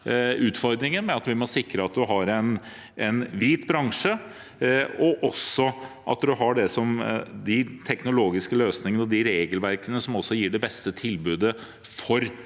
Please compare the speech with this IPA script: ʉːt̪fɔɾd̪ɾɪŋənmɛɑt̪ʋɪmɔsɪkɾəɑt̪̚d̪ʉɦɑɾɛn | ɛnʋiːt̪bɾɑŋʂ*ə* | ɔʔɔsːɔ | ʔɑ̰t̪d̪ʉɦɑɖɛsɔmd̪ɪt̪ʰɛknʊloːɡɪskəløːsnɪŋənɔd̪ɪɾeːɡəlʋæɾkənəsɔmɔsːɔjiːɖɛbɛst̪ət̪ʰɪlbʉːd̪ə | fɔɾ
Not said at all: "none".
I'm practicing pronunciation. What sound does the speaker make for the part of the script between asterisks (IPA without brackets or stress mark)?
ə